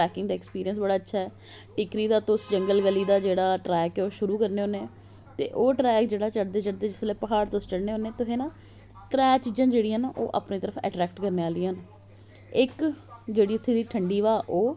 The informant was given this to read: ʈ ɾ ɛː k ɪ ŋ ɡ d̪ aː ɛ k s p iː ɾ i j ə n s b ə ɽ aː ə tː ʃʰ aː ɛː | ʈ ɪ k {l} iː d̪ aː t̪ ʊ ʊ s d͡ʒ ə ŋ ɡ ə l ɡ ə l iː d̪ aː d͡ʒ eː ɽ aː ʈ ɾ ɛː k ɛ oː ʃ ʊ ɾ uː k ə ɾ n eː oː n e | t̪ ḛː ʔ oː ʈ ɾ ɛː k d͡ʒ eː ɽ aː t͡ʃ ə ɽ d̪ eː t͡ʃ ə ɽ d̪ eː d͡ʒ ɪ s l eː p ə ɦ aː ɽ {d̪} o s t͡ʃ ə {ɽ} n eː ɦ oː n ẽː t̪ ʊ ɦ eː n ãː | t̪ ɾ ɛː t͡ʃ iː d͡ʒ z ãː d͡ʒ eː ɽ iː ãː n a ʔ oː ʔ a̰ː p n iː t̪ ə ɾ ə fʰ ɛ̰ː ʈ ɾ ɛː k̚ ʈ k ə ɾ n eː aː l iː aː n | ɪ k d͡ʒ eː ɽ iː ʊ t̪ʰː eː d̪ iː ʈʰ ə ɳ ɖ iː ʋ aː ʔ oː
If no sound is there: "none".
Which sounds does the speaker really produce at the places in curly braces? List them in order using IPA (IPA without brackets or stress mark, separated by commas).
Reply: ɾ, t̪, ɽ